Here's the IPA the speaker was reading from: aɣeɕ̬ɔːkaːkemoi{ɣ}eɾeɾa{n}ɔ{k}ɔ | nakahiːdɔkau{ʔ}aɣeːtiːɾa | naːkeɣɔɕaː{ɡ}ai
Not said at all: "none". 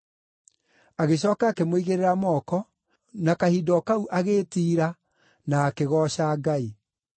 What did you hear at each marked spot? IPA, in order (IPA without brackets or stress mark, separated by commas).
ɣ, m, k, ʔ, ɡ